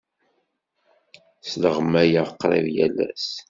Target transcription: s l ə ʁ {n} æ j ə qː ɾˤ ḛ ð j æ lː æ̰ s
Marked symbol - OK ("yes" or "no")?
no